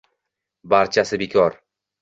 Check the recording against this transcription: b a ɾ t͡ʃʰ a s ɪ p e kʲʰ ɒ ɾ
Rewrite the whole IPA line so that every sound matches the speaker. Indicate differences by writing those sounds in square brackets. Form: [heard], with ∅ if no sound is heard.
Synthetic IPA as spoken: b a ɾ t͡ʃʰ a s ɪ [b] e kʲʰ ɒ ɾ